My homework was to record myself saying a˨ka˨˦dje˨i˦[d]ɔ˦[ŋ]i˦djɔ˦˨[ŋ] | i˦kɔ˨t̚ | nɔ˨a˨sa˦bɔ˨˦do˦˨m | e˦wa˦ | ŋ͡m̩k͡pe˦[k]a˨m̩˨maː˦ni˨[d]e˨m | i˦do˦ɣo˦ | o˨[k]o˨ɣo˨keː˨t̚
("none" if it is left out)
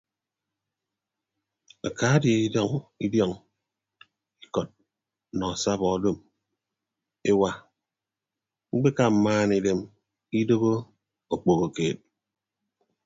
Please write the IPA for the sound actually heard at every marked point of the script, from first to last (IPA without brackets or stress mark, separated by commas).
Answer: d, ŋ, ŋ, k, d, k͡p